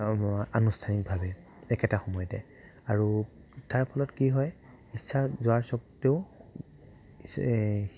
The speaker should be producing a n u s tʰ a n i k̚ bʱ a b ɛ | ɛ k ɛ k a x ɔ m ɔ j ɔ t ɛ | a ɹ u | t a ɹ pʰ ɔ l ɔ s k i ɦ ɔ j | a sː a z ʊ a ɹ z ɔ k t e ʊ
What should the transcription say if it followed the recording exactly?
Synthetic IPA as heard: a n u s tʰ a n i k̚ bʱ a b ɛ | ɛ k ɛ t a x ɔ m ɔ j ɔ t ɛ | a ɹ u | t a ɹ pʰ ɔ l ɔ t k i ɦ ɔ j | i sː a z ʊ a ɹ s ɔ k t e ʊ